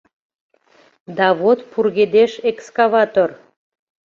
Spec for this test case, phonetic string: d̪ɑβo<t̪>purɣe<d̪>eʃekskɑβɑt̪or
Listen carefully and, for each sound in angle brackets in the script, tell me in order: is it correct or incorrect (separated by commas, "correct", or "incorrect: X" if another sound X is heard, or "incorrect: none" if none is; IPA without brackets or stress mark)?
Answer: correct, correct